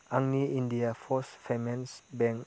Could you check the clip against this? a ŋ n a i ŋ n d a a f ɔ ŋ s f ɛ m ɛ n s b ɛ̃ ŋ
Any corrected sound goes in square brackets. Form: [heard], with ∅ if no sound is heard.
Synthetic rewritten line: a ŋ n [i] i [∅] n d [i] a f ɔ [∅] s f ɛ m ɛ n s b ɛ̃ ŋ